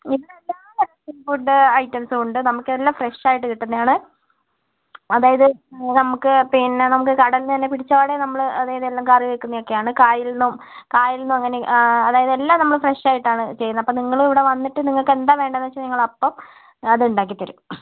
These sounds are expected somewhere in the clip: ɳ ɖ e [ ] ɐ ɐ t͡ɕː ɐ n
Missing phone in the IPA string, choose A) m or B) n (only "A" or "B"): B